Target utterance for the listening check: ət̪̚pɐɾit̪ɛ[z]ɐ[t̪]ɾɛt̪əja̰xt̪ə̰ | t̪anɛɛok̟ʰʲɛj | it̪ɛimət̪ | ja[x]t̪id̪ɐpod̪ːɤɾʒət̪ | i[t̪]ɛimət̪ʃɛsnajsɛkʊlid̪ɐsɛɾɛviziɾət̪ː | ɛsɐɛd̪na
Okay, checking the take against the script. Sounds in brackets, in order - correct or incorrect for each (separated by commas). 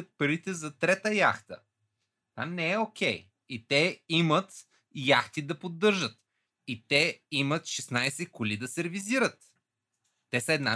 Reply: correct, correct, correct, correct